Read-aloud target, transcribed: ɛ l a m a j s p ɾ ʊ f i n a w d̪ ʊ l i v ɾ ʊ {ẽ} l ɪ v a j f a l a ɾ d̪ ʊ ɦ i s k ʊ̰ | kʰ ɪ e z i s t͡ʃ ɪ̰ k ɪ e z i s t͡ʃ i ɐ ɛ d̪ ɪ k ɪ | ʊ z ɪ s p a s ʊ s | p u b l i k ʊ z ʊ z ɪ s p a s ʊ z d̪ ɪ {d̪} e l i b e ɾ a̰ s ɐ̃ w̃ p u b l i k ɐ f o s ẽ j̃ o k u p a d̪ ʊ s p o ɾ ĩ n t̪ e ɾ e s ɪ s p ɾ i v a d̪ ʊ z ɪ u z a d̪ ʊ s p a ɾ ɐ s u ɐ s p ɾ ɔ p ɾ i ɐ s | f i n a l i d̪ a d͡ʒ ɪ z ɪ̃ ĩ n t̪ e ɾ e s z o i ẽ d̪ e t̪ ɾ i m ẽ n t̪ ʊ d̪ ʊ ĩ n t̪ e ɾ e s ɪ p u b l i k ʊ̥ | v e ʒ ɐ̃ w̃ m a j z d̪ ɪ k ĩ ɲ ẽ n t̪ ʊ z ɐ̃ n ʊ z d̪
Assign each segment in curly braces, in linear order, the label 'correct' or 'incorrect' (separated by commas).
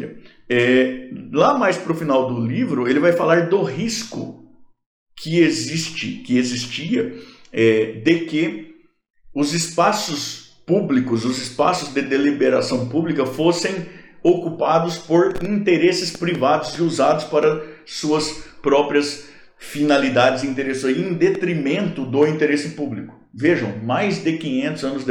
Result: incorrect, correct